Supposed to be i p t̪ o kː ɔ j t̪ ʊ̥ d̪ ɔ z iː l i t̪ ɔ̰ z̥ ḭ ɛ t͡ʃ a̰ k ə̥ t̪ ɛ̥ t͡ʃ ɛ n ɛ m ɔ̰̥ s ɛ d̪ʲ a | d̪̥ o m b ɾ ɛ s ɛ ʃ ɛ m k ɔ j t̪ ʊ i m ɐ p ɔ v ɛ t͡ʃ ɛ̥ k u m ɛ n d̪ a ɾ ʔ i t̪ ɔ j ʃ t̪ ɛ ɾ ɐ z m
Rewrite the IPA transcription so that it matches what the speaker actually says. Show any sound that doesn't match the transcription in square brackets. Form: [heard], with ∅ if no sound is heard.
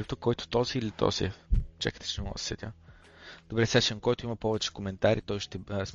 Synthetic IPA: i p t̪ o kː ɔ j t̪ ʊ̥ [t̪] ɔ z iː l i t̪ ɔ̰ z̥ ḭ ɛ t͡ʃ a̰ k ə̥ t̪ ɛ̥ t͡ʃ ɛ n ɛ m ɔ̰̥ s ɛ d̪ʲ a | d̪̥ o [∅] b ɾ ɛ s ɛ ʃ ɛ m k ɔ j t̪ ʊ i m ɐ p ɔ v ɛ t͡ʃ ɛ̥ k [o] m ɛ n [t̪] a ɾ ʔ i t̪ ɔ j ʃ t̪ ɛ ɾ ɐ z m